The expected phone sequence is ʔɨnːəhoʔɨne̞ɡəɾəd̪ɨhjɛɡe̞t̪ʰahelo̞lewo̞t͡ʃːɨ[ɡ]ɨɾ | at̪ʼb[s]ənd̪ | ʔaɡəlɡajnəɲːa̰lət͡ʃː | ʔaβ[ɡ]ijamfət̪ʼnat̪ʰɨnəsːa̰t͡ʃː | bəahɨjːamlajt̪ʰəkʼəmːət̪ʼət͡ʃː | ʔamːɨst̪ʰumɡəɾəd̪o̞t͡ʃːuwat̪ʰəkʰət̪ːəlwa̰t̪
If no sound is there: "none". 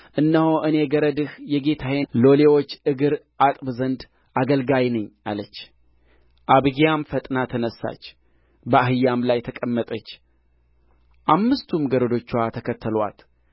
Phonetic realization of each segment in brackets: ɡ, z, ɡ

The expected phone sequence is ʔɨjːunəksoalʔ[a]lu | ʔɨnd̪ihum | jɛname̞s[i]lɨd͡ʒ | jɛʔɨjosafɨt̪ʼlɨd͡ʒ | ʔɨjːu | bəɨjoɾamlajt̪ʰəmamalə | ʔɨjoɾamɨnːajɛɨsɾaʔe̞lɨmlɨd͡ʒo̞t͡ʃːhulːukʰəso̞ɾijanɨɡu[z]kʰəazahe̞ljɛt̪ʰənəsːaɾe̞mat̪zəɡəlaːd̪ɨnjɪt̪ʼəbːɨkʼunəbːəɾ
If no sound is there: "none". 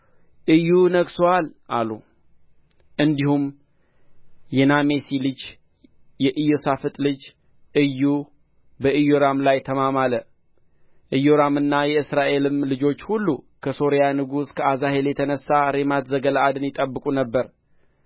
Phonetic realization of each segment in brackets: a, i, s

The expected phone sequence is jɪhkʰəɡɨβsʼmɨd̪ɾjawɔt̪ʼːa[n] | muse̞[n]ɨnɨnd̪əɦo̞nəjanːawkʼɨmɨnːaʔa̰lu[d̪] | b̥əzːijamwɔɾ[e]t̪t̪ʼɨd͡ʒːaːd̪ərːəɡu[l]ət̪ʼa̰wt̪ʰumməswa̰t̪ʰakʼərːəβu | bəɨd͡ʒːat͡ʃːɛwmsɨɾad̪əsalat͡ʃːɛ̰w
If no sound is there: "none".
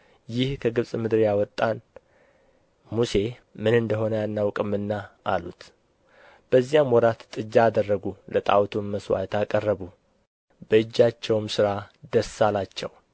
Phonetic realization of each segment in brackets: n, m, t̪, a, l

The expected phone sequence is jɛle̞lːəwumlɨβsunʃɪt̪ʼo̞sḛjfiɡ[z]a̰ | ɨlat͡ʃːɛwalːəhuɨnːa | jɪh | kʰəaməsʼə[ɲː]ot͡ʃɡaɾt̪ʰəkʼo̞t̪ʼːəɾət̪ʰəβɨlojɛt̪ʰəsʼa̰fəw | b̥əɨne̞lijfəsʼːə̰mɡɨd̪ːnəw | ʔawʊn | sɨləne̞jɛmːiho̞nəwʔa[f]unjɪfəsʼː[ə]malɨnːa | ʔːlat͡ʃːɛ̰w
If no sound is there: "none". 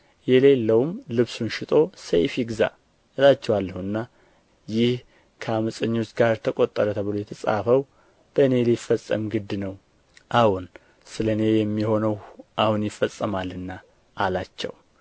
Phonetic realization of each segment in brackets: z, ɲː, h, ə

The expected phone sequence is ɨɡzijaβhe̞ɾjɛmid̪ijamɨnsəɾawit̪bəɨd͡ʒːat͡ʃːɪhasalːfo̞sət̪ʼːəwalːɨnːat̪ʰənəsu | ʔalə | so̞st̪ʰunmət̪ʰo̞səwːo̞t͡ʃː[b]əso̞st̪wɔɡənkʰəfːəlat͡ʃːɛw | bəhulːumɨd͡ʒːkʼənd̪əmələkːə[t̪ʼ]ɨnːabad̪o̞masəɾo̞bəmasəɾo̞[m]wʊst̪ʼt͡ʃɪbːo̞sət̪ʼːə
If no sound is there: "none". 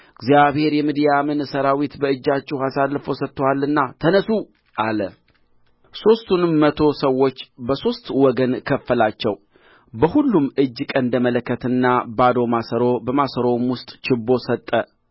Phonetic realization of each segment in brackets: b, t̪, m

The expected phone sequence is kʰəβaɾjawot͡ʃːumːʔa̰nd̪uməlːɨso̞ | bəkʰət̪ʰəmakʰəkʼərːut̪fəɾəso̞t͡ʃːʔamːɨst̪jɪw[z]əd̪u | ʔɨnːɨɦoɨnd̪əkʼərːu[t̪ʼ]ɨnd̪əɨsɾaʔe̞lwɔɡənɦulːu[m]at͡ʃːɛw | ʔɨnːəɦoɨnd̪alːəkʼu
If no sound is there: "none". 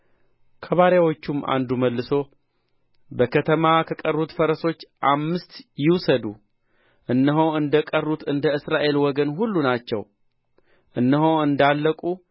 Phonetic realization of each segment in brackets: s, t̪, n

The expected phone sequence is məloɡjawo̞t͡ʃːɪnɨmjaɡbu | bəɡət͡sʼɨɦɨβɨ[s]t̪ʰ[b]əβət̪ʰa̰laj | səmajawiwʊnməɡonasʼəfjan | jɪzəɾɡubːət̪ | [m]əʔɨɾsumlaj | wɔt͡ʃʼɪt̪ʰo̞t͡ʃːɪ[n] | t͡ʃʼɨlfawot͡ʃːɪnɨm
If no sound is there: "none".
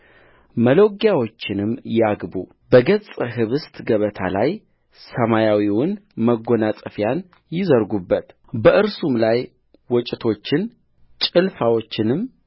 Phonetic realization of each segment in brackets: s, ɡ, b, n

